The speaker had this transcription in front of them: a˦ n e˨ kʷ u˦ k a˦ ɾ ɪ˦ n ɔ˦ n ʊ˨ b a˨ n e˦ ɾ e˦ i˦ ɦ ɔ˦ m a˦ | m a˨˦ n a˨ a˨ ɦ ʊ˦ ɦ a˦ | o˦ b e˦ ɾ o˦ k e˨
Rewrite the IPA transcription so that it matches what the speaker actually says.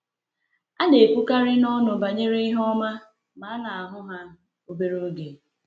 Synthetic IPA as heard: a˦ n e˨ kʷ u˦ k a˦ ɾ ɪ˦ n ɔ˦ n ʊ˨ b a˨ ɲ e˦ ɾ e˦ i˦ ɦ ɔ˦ m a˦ | m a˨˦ n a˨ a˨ ɦ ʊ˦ ɦ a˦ | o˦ b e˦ ɾ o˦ ɡ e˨